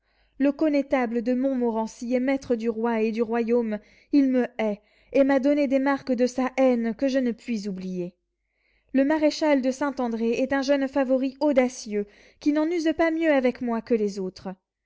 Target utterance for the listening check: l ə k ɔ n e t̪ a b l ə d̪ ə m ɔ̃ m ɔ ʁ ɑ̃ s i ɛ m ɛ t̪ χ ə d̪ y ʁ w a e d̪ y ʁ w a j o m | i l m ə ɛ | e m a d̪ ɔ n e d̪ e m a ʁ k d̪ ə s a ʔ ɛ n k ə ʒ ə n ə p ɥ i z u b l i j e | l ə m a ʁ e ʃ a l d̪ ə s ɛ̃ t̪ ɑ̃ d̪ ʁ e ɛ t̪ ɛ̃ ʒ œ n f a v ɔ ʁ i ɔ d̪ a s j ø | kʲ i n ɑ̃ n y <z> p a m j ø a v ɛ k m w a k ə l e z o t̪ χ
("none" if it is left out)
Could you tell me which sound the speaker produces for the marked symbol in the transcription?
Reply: z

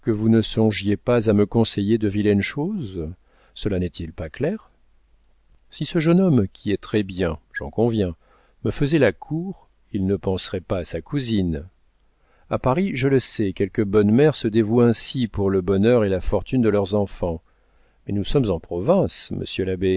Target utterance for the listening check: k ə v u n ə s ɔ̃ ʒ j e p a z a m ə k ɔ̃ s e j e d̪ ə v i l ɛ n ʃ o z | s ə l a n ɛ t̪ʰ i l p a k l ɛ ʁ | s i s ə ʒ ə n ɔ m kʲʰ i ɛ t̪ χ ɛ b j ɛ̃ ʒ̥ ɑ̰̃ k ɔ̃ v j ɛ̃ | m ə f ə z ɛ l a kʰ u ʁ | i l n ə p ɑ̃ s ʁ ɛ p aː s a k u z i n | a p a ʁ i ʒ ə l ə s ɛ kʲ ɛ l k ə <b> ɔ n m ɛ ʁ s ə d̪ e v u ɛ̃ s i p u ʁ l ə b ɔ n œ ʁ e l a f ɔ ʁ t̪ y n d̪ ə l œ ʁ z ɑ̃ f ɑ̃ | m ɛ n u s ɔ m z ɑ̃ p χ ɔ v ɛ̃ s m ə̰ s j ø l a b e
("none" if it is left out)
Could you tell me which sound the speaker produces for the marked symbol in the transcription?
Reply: b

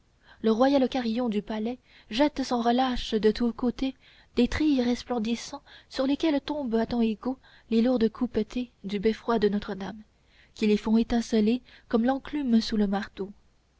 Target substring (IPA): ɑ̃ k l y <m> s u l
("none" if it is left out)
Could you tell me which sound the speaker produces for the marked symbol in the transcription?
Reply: m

